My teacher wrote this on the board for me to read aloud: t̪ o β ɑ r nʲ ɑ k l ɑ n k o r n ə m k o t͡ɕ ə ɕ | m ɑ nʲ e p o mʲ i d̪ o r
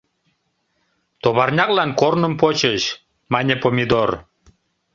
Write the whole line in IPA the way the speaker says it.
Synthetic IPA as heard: t̪ o β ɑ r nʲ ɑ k l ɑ n k o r n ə m p o t͡ɕ ə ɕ | m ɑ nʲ e p o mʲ i d̪ o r